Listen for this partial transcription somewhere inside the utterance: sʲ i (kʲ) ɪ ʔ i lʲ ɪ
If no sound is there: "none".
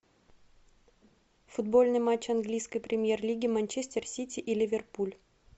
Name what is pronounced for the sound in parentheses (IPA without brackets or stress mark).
tʲ